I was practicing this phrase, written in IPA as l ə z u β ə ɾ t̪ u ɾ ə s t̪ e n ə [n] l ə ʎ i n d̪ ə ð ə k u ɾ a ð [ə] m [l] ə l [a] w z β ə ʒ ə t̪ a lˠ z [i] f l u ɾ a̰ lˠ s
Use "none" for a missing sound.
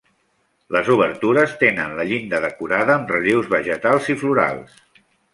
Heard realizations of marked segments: n, əː, r, i, i

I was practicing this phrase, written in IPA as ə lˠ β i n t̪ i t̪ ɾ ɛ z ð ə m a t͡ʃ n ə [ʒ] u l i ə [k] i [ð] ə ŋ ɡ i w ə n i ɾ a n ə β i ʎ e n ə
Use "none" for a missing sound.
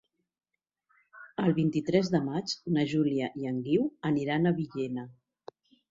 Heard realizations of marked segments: ʒ, ʔ, none

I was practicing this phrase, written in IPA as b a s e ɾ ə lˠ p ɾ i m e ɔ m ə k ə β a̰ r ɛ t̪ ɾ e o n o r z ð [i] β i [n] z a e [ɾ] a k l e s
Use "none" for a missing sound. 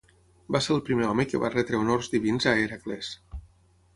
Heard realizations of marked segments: i, n, ɾ

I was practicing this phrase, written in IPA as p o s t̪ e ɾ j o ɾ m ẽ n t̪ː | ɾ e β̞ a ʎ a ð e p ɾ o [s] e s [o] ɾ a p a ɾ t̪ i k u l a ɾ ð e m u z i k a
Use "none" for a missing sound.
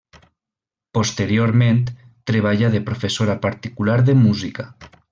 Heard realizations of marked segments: f, o

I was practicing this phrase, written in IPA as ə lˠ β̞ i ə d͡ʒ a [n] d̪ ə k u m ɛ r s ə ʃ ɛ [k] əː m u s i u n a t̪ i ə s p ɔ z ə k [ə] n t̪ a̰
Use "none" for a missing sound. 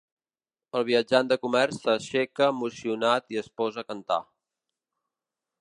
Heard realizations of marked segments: n, k, ə

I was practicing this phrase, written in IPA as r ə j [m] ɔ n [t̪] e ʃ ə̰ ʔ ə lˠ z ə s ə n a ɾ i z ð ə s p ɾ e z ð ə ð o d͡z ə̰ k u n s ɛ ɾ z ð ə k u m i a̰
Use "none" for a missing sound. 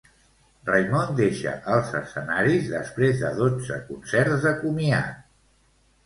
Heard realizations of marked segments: m, d̪

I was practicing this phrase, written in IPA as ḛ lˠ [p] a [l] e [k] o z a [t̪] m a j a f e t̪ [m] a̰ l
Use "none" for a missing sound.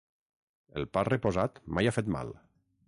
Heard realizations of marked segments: p, r, p, t̪, m

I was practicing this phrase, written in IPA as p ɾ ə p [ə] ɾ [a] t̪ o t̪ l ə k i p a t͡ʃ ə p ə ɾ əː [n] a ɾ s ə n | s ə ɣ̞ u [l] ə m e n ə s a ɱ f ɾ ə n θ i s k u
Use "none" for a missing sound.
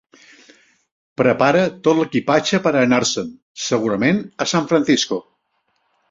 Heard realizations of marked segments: a, ə, n, ɾ

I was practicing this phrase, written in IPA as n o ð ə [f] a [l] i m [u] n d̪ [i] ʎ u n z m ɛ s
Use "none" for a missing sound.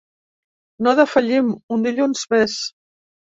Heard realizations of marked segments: f, ʎ, u, i

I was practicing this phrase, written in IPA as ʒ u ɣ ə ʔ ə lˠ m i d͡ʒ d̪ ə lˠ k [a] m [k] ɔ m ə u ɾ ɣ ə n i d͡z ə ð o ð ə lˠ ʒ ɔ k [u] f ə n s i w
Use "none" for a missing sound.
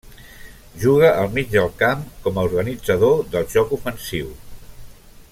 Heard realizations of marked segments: a, k, u

